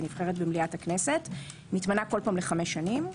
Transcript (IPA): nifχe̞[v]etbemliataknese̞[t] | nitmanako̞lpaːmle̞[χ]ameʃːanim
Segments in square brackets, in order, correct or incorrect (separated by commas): incorrect, correct, correct